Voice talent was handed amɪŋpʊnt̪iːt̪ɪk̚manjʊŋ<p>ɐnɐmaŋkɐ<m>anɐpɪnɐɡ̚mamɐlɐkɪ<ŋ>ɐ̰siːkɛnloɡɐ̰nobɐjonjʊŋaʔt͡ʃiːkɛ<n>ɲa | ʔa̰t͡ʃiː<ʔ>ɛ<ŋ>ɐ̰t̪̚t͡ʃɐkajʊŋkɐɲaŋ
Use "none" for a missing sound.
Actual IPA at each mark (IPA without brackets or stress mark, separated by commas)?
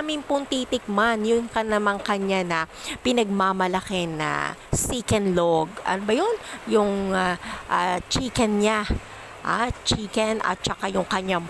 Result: k, ɲ, n, n, k, n